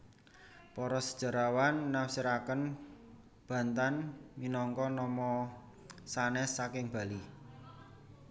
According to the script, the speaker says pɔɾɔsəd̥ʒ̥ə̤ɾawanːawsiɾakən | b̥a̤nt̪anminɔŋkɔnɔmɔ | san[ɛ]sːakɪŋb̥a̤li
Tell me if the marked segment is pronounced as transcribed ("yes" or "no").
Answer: yes